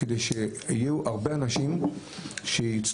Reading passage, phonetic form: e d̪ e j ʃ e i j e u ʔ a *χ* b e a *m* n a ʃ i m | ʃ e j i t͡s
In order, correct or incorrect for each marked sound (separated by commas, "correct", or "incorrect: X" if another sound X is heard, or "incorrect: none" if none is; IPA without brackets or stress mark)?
incorrect: ʁ, incorrect: none